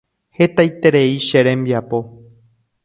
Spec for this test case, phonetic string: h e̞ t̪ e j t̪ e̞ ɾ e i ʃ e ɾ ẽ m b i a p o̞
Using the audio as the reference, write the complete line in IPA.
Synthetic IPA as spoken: h e̞ t̪ a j t̪ e̞ ɾ e i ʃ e ɾ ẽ m b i a p o̞